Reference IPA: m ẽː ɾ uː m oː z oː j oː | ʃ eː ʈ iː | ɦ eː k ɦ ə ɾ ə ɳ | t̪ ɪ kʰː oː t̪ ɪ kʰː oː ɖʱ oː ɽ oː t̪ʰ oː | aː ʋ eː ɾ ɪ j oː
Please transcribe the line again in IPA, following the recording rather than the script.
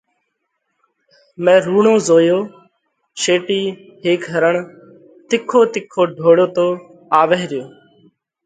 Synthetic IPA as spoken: m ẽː ɾ uː ɳ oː z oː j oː | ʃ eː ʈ iː | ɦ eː k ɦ ə ɾ ə ɳ | t̪ ɪ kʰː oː t̪ ɪ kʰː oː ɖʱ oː ɽ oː t̪ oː | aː ʋ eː ɾ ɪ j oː